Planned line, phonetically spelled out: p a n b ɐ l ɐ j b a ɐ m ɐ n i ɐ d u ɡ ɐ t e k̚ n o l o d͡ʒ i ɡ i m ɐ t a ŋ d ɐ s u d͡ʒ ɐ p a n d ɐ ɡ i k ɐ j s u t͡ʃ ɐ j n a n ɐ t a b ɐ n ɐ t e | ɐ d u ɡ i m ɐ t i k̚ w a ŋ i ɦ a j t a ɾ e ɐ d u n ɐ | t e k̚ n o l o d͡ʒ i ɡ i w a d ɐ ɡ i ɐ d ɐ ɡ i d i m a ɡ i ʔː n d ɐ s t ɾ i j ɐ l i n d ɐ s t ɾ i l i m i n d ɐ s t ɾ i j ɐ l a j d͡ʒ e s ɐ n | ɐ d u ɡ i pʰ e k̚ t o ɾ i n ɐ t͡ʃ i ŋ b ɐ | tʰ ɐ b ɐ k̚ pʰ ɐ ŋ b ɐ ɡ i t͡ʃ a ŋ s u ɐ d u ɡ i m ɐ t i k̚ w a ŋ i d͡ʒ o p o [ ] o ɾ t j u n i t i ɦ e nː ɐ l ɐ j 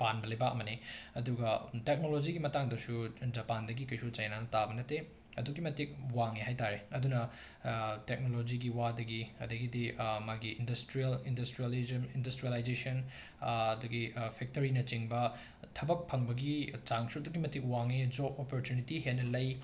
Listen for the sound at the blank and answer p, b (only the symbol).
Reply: p